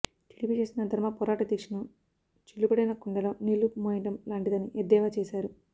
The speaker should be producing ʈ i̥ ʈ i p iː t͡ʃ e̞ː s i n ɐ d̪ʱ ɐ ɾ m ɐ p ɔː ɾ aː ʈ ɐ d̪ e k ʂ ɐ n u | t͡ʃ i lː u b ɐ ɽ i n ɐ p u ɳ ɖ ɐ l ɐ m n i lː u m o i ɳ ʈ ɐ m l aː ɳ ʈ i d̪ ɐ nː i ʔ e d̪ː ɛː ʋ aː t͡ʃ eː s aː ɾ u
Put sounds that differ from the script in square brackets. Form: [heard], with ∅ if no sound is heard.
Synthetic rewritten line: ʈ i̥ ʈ i p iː t͡ʃ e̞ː s i n ɐ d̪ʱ ɐ ɾ m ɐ p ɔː ɾ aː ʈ ɐ d̪ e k ʂ ɐ n u | t͡ʃ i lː u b ɐ ɽ i n ɐ [k] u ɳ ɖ ɐ l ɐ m n i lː u m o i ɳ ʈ ɐ m l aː ɳ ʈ i d̪ ɐ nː i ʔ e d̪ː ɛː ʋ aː t͡ʃ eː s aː ɾ u